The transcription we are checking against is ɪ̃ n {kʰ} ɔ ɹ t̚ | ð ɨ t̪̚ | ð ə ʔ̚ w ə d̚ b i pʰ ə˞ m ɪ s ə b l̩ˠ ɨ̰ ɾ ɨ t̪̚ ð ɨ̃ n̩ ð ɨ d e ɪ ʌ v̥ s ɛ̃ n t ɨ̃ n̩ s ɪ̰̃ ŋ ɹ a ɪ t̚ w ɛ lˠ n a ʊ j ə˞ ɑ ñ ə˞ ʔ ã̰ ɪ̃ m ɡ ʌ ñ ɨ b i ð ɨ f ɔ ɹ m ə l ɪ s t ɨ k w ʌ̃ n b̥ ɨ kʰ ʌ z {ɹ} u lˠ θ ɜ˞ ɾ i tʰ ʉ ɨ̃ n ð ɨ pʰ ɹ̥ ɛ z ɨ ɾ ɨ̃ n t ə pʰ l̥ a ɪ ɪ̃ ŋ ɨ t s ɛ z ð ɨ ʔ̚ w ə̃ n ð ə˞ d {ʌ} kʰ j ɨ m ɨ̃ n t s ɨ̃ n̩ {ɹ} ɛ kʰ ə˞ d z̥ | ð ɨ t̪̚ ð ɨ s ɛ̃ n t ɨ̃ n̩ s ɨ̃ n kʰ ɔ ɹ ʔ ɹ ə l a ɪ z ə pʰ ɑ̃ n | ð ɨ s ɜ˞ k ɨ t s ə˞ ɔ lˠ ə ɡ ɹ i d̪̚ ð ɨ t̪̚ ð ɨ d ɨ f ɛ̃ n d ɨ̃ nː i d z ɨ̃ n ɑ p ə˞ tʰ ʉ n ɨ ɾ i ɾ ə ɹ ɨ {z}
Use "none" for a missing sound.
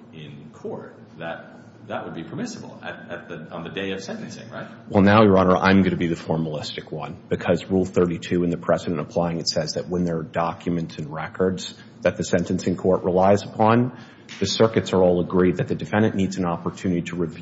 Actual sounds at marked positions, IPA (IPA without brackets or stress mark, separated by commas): kʰ, ɹ, ɑ, ɹ, v